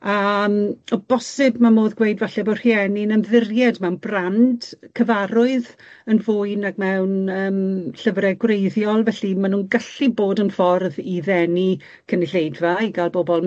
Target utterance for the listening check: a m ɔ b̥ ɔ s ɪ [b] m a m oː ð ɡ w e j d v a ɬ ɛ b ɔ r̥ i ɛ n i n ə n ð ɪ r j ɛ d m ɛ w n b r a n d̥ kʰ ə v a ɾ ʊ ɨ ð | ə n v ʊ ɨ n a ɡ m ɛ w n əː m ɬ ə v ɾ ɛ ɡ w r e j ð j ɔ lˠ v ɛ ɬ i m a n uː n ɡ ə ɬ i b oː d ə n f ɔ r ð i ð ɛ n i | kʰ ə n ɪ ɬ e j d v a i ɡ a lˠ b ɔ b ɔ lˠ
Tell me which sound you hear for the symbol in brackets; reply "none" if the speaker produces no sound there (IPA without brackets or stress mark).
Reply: b